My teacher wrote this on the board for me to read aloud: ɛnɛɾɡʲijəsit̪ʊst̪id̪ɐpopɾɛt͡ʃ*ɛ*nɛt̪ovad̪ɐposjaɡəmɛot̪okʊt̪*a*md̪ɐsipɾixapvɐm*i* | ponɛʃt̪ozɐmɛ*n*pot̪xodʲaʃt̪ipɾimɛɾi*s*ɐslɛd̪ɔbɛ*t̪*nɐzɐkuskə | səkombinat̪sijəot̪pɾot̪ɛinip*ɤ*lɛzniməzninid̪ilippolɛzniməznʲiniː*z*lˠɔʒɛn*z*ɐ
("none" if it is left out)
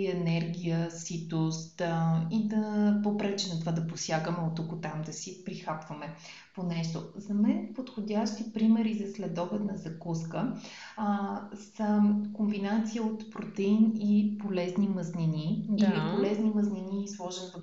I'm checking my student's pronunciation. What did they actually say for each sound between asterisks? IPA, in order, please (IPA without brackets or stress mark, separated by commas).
ɛ, a, ɛ, n, z, t̪, o, s, v